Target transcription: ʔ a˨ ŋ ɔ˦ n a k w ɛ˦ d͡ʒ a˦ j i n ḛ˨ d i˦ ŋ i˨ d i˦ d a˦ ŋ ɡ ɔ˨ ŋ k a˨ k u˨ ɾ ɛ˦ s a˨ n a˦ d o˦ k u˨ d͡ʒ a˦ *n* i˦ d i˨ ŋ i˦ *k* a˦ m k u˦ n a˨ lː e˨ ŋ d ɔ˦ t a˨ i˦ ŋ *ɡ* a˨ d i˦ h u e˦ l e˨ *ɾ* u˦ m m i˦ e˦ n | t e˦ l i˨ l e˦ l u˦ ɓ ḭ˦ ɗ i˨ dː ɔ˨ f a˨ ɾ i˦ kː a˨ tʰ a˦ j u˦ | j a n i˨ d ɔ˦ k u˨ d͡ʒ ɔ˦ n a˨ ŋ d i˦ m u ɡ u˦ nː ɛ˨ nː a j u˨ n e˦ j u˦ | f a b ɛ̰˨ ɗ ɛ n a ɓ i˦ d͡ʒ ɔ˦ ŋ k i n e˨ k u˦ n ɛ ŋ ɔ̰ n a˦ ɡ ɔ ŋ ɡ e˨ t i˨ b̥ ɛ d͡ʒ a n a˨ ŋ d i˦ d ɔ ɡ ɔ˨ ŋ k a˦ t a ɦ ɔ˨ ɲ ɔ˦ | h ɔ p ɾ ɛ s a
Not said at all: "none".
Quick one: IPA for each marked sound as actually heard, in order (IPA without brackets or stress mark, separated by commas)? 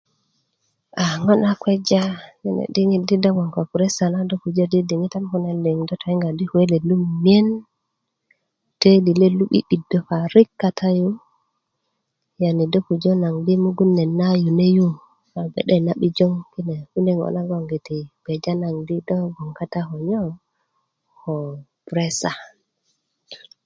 d, t, ɡ, l